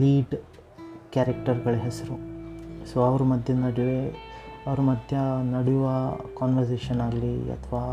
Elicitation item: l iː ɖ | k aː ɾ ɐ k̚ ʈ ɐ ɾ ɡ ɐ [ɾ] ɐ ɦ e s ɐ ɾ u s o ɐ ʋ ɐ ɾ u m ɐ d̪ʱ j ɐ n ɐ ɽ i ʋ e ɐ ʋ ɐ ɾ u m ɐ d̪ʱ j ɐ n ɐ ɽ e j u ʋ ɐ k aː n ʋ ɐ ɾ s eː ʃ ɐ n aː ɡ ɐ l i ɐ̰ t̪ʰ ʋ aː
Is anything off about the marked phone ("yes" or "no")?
yes